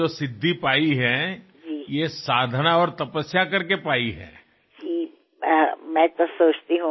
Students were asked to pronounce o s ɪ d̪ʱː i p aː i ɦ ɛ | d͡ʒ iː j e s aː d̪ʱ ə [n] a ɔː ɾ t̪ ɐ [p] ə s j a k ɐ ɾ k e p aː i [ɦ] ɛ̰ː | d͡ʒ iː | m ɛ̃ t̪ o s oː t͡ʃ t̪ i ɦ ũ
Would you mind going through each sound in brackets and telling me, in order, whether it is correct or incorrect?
correct, correct, correct

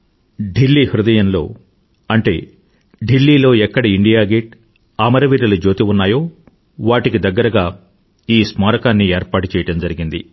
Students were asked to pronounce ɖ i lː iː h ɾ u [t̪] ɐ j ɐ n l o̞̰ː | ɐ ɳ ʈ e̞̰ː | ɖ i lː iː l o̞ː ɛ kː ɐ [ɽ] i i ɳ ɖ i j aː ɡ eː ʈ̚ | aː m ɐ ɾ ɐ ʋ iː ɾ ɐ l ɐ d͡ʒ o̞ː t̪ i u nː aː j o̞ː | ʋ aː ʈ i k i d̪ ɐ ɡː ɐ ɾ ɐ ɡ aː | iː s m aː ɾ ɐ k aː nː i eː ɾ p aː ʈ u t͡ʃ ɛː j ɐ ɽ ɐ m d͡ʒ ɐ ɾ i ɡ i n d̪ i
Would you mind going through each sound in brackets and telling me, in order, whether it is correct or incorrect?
incorrect: d̪, correct

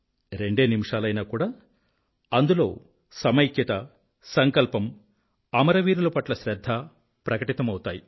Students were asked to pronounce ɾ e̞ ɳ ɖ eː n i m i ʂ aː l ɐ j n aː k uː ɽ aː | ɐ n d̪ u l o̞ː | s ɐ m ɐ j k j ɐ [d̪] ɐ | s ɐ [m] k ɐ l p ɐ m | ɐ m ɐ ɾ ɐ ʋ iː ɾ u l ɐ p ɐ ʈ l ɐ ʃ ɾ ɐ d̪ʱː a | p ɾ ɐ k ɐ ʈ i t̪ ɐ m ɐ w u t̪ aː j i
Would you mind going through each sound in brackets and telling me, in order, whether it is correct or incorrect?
incorrect: t̪, incorrect: ŋ

